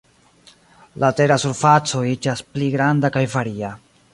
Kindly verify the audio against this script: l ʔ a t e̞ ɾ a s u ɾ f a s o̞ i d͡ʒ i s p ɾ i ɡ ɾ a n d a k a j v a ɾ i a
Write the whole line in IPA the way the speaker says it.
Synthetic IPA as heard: l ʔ a t e̞ ɾ a s u ɾ f a t͡s o̞ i d͡ʒ a s p l i ɡ ɾ a n d a k a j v a ɾ i a

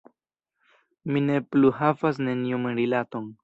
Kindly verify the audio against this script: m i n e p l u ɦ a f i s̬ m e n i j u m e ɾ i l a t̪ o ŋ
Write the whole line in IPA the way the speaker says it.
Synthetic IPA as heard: m i n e p l u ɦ a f a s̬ n e n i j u m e ɾ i l a t̪ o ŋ

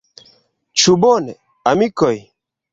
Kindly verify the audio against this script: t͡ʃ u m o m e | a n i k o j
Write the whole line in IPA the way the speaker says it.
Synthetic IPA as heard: t͡ʃ u b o n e | a m i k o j

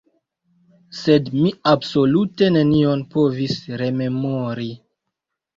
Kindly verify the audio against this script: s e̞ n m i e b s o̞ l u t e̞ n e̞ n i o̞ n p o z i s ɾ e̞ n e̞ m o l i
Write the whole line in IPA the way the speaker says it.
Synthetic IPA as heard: s e̞ d m i a b s o̞ l u t e̞ n e̞ n i o̞ n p o v i s ɾ e̞ m e̞ m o ɾ i

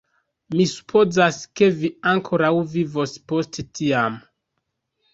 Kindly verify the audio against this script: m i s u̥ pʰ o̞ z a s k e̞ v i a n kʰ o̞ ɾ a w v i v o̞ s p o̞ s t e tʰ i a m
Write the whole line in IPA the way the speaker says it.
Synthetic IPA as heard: m i s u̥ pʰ o̞ z a s k e̞ v i a ŋ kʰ o̞ ɾ a w v i v o̞ s p o̞ s t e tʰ i a m

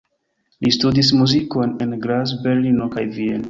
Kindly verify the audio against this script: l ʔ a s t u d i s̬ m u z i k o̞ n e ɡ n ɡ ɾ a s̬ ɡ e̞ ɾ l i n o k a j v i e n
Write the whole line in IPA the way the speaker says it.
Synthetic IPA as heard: l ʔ i s t u d i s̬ m u z i k o̞ n e n ɡ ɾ a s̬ b e̞ ɾ l i n o k a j v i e n

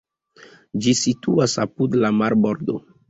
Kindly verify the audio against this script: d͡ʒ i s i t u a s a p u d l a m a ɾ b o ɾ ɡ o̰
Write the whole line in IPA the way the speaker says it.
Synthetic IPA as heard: d͡ʒ i s i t u a s a p u d l a m a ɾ b o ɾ d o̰

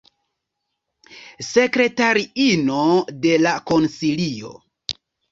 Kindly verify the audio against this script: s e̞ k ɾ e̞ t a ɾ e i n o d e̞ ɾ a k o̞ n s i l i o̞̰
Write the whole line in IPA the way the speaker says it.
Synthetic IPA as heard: s e̞ k ɾ e̞ t a ɾ i i n o d e̞ l a k o̞ n s i l i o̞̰

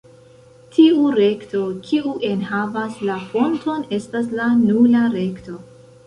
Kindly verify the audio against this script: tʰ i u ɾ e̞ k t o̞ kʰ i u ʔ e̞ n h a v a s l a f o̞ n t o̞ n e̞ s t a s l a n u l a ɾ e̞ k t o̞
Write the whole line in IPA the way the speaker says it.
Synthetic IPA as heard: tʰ i u ɾ e̞ k t o̞ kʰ i u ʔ e̞ n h a v a s l a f o̞ n t o̞ n e̞ s t a s l a n u l a ɾ e̞ k t o̞

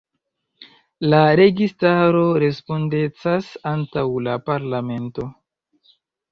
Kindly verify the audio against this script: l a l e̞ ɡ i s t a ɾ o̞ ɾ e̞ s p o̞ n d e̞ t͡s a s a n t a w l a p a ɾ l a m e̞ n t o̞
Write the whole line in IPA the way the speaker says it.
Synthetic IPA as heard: l a ɾ e̞ ɡ i s t a ɾ o̞ ɾ e̞ s p o̞ n d e̞ t͡s a s a n t a w l a p a ɾ l a m e̞ n t o̞

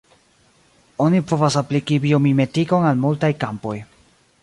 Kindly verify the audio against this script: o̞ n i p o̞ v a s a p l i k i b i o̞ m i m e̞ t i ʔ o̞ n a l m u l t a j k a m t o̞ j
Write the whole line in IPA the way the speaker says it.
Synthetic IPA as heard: o̞ n i p o̞ v a s a p l i k i b i o̞ m i m e̞ t i k o̞ n a l m u l t a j k a m p o̞ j

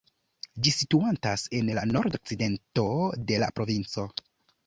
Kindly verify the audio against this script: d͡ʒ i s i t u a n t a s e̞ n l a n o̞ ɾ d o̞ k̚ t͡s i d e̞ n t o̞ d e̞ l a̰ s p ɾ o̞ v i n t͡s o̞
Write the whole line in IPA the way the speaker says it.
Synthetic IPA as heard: d͡ʒ i s i t u a n t a s e̞ n l a n o̞ ɾ d o̞ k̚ t͡s i d e̞ n t o̞ d e̞ l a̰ p ɾ o̞ v i n t͡s o̞

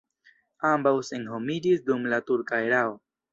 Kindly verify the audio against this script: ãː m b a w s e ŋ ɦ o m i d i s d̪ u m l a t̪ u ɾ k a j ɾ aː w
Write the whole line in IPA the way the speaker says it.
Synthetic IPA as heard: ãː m b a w s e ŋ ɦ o m i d i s d̪ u m l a t̪ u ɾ k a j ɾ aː w

